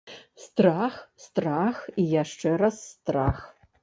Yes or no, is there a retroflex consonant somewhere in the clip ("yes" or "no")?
yes